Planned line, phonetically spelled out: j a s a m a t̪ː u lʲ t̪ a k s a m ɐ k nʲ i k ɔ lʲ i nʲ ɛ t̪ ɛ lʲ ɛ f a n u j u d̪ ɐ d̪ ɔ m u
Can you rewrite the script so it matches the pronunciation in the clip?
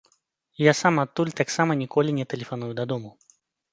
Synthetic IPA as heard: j a s a m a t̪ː u lʲ t̪ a k s a m ɐ nʲ i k ɔ lʲ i nʲ ɛ t̪ ɛ lʲ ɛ f a n u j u d̪ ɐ d̪ ɔ m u